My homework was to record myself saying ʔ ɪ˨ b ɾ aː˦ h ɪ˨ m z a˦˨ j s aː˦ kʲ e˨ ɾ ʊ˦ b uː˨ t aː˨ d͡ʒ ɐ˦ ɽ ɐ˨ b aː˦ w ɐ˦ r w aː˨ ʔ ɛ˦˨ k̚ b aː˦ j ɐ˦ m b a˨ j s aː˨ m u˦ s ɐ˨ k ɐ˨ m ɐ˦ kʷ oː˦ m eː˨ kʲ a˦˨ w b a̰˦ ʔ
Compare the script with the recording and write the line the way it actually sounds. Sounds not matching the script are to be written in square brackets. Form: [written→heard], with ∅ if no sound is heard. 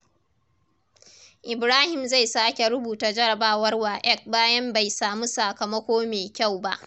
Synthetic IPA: ʔ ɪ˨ b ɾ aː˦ h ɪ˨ m z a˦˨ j s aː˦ kʲ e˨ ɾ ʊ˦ b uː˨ t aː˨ d͡ʒ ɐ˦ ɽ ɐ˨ b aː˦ w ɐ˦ r w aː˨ ʔ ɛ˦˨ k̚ b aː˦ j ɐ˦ m b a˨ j s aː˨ m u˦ s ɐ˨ k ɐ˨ m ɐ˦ kʷ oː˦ m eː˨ kʲ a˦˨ w b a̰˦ ʔ